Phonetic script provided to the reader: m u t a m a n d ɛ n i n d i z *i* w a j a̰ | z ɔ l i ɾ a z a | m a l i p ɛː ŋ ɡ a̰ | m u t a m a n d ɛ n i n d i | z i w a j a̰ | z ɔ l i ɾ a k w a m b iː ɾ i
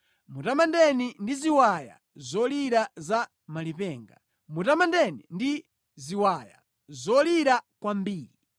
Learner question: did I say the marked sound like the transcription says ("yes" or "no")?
yes